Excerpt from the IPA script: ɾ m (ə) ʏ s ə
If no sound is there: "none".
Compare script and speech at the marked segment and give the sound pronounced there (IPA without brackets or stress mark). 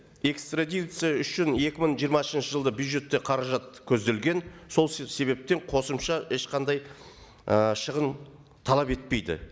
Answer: ɑ